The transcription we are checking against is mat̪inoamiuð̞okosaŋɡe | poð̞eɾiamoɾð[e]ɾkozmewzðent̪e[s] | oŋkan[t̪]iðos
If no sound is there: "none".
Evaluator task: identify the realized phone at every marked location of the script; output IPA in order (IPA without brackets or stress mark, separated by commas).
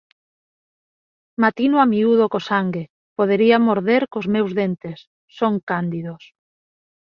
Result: e, sː, d̪